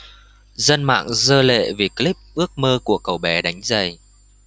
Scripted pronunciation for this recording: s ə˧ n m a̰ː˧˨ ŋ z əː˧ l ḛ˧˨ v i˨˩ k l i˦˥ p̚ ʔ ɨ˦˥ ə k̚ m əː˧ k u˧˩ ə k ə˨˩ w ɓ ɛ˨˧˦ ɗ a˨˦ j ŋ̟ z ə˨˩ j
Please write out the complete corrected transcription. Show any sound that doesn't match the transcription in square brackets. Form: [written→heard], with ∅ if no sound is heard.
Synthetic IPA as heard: [s→z] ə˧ n m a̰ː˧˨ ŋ z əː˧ l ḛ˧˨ v i˨˩ k l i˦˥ p̚ ʔ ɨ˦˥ ə k̚ m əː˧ k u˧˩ ə k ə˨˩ w ɓ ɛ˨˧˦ ɗ a˨˦ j ŋ̟ z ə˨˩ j